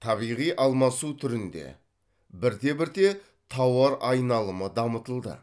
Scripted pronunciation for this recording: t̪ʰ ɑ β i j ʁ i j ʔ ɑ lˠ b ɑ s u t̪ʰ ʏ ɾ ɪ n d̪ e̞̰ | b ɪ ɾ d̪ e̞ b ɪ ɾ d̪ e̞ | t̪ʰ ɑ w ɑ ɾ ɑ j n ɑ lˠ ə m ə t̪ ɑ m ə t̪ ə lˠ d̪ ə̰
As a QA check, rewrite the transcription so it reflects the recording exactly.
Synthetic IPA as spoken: t̪ʰ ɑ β i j ʁ i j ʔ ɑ lˠ m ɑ s u t̪ʰ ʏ ɾ ɪ n d̪ e̞̰ | b ɪ ɾ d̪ e̞ b ɪ ɾ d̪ e̞ | t̪ʰ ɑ w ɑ ɾ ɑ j n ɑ lˠ ə m ə d̪ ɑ m ə t̪ ə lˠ d̪ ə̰